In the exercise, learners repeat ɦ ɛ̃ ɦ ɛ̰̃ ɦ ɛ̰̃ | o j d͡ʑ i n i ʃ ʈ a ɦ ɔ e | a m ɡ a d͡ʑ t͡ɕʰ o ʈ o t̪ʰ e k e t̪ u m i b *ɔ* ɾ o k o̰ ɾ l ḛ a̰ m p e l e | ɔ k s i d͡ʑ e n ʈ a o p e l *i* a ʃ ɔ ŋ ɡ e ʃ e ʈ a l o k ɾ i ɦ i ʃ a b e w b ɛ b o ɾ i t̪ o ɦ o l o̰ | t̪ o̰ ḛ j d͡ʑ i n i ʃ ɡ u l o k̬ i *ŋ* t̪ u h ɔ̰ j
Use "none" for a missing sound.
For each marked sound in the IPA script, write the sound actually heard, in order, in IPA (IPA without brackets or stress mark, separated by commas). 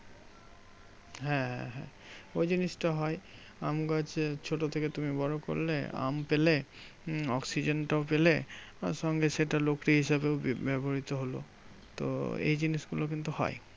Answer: ɔ, e, n